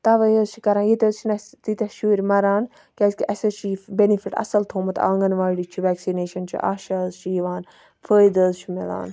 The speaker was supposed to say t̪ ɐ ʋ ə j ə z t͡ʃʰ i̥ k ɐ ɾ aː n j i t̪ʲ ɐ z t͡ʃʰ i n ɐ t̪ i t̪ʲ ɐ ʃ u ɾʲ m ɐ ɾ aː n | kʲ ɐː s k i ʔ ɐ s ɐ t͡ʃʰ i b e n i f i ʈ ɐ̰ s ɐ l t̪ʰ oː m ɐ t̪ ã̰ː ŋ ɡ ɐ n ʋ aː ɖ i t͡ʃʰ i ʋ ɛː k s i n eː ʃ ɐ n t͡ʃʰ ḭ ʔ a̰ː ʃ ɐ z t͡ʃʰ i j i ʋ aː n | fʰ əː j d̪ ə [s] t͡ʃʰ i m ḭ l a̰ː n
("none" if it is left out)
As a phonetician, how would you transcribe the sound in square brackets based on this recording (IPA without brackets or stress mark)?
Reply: z